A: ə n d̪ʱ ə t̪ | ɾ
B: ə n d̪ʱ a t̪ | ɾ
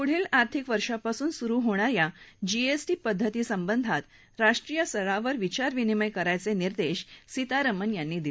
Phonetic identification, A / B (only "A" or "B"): B